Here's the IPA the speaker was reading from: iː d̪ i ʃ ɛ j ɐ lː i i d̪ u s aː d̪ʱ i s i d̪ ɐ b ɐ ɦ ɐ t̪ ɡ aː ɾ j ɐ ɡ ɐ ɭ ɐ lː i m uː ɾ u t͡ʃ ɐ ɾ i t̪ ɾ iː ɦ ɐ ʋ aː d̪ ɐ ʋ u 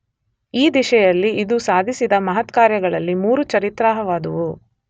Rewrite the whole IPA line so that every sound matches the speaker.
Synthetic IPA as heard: iː d̪ i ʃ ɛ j ɐ lː i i d̪ u s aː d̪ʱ i s i d̪ ɐ m ɐ ɦ ɐ t̪ k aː ɾ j ɐ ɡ ɐ ɭ ɐ lː i m uː ɾ u t͡ʃ ɐ ɾ i t̪ ɾ aː ɦ ɐ ʋ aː d̪ ɐ ʋ u